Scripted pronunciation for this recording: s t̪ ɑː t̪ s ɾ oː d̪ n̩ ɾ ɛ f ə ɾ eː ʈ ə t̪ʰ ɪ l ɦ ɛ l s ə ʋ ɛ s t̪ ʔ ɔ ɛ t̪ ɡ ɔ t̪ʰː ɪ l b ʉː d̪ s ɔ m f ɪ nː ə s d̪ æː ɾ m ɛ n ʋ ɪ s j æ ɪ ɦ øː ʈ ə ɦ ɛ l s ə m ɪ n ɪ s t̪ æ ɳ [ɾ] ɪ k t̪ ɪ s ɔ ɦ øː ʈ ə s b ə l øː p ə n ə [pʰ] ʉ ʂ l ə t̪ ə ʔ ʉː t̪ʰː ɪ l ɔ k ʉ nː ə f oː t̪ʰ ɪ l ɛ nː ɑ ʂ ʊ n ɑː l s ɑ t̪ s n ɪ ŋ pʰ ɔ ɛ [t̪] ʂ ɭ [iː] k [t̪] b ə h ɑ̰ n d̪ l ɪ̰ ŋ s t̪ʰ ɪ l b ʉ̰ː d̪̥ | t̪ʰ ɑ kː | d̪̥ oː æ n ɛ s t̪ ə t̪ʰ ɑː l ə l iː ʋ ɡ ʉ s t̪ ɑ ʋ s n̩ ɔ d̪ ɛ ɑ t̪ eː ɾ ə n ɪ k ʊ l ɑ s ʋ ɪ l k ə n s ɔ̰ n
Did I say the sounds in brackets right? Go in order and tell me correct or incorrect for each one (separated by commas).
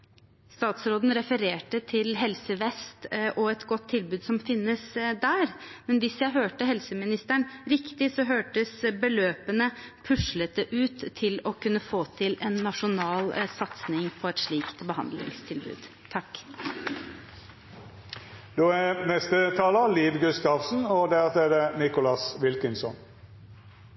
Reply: correct, correct, correct, correct, correct